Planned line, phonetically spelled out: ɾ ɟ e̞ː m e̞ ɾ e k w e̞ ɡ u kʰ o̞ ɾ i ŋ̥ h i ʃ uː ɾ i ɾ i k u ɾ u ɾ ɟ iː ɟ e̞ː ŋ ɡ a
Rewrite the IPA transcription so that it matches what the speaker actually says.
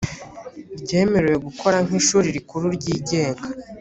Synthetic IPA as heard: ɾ ɟ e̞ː m e̞ ɾ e w e̞ ɡ u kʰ o̞ ɾ a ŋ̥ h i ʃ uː ɾ i ɾ i k u ɾ u ɾ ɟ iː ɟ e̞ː ŋ ɡ a